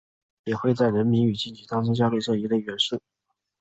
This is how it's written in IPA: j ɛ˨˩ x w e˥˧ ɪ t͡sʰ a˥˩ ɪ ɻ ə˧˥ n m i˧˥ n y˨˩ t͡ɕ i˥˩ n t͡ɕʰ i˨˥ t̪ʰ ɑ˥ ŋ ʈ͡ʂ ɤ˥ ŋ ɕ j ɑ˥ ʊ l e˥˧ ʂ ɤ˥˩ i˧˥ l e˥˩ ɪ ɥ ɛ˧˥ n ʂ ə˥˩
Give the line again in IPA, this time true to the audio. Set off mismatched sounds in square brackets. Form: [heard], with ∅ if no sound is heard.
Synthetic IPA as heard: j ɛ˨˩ x w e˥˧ ɪ [t͡s] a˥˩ ɪ ɻ ə˧˥ n m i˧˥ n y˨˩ t͡ɕ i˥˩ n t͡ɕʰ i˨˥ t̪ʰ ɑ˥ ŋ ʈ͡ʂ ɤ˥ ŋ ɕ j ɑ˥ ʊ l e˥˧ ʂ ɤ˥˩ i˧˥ l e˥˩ ɪ ɥ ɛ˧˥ n ʂ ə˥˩